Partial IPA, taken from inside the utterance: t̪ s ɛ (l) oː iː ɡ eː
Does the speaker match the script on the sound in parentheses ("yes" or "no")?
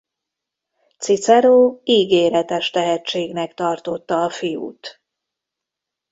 no